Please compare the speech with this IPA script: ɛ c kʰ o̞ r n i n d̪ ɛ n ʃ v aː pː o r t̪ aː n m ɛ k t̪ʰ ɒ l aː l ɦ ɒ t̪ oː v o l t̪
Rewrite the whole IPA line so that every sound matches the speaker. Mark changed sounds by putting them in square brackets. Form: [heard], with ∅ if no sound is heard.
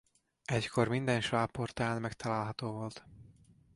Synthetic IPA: ɛ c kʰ o̞ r [m] i n d̪ ɛ n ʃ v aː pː o r t̪ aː n m ɛ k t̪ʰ ɒ l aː l ɦ ɒ t̪ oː v o l t̪